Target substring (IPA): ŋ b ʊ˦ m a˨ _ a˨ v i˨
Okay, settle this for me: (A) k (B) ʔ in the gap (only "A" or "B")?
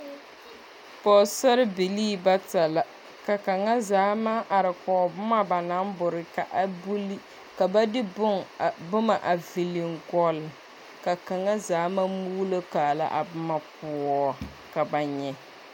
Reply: B